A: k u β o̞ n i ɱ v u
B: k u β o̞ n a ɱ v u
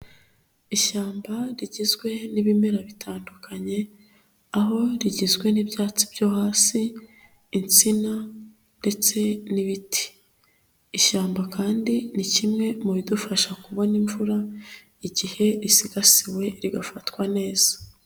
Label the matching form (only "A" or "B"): A